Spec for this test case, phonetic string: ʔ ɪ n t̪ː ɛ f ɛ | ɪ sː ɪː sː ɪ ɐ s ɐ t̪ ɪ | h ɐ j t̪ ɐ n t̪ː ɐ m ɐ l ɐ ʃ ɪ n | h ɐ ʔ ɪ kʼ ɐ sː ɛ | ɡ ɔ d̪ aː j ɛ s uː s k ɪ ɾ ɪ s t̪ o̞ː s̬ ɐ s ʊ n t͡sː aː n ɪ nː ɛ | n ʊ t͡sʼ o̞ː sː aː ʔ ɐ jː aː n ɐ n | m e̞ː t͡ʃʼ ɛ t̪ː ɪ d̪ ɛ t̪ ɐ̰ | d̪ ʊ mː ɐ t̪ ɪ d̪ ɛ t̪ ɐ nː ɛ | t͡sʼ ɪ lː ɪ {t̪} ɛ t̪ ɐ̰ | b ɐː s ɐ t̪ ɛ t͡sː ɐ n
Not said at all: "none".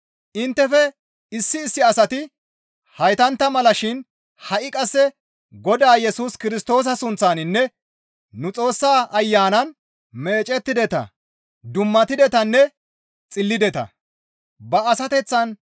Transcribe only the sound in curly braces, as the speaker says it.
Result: d̪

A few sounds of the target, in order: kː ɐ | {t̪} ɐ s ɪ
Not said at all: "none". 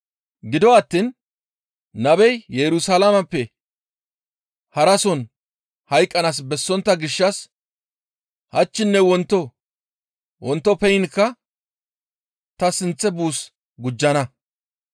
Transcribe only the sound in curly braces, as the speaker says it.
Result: t̪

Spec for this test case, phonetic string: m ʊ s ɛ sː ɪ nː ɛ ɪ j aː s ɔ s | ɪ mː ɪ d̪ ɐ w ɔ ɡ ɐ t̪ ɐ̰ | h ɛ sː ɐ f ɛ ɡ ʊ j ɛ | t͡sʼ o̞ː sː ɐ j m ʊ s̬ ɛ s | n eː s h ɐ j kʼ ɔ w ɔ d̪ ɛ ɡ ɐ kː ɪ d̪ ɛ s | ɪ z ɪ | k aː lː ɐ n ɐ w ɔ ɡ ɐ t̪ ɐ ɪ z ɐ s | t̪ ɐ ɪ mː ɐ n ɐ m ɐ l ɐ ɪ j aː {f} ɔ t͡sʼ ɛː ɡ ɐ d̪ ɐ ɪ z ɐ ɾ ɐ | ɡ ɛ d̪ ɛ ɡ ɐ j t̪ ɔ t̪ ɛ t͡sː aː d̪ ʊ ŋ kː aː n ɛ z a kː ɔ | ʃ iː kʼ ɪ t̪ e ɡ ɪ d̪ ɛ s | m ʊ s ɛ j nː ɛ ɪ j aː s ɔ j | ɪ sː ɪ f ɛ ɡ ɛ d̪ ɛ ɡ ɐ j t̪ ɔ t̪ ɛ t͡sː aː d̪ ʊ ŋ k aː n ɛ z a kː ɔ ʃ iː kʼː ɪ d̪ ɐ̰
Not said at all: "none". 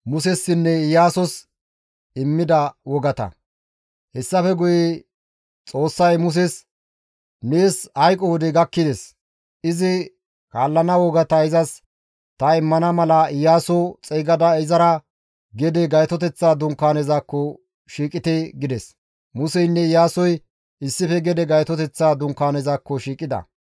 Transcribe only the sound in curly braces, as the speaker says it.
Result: s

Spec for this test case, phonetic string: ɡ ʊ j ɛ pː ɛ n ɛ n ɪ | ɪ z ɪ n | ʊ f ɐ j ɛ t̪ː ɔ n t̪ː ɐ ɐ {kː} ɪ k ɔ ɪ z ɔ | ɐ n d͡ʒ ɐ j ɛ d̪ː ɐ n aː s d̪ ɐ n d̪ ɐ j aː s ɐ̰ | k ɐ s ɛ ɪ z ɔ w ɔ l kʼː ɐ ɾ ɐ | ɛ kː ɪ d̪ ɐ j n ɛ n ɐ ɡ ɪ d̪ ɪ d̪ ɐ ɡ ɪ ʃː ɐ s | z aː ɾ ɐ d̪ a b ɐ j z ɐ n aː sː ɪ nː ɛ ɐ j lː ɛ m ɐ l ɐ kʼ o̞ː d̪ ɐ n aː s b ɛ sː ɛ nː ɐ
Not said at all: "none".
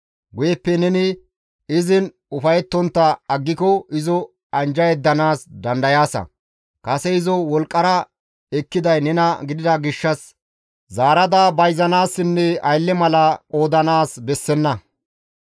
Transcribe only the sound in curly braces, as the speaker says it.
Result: ɡː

